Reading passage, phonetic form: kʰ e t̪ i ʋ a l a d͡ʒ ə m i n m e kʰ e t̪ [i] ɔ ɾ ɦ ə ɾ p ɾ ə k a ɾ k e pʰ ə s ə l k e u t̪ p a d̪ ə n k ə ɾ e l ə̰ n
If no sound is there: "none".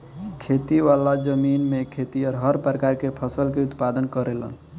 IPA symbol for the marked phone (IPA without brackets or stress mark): i